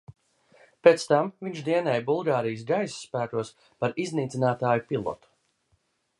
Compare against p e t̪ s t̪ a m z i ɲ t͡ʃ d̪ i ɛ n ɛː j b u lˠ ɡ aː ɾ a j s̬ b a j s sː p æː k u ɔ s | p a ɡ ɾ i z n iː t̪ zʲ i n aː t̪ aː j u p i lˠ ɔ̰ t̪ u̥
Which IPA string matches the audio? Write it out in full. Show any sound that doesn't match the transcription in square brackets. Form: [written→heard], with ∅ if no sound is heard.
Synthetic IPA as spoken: p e t̪ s t̪ a m [z→v] i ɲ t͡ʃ d̪ i ɛ n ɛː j b u lˠ ɡ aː ɾ [a→i] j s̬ [b→ɡ] a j s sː p æː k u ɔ s | p a [ɡ→∅] ɾ i z n iː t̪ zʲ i n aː t̪ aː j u p i lˠ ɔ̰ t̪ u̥